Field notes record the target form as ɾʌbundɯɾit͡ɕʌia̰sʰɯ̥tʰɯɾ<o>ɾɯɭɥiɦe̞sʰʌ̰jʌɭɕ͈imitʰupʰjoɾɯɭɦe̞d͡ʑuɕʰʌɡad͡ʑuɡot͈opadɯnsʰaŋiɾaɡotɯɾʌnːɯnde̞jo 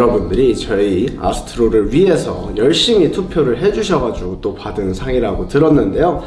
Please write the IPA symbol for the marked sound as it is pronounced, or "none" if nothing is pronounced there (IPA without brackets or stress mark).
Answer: o